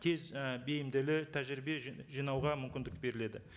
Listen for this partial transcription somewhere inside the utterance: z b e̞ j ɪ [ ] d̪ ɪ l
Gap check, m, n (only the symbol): m